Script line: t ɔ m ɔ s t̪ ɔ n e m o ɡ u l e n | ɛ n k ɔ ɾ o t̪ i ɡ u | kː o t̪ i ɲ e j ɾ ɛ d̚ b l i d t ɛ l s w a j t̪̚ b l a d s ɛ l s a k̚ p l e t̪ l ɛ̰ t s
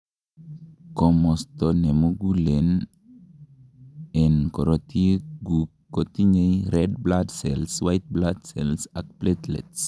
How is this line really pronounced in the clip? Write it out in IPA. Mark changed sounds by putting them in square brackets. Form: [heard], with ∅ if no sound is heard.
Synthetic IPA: [k] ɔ m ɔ s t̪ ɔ n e m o ɡ u l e n | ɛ n k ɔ ɾ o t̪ i ɡ u | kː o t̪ i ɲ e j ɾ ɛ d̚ b l [a] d [s] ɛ l s w a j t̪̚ b l a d s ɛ l s a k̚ p l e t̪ l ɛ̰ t s